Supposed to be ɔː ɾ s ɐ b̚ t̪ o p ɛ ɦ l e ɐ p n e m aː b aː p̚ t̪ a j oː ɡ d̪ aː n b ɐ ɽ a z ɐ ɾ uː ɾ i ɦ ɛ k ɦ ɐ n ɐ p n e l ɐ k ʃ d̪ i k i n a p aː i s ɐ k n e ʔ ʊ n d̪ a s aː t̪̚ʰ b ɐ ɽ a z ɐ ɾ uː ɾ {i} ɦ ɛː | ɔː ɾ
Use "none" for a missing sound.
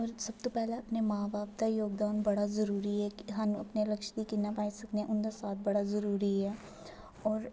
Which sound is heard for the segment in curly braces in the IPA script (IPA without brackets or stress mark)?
i